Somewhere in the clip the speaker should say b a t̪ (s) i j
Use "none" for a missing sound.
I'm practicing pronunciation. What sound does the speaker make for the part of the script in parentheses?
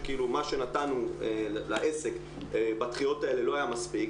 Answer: χ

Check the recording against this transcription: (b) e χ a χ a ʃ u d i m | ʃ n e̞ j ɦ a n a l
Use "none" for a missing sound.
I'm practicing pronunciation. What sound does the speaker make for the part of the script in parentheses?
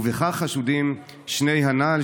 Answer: v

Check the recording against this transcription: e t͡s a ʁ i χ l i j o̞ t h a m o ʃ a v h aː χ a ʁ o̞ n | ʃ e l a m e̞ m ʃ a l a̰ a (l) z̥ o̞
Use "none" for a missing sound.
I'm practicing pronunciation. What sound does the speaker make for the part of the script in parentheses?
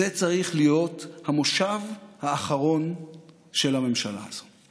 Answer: none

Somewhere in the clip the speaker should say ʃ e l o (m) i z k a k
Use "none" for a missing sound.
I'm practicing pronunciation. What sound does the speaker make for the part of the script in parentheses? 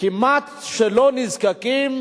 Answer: n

